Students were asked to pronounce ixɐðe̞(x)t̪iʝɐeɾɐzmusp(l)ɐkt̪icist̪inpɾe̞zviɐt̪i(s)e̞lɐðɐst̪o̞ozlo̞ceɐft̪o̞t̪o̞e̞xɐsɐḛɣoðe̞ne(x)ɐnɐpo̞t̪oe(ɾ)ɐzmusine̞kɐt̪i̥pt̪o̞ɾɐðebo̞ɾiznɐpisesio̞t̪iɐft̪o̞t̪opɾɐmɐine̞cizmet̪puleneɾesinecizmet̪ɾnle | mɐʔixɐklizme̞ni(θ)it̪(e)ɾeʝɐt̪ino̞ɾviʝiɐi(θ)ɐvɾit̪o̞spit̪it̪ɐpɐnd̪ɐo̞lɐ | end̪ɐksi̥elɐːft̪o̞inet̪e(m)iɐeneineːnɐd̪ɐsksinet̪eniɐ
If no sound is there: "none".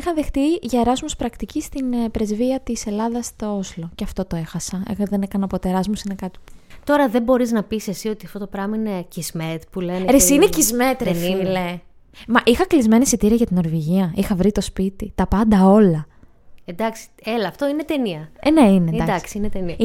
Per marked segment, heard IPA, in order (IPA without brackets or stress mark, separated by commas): x, ɾ, s, k, ɾ, s, i, x, n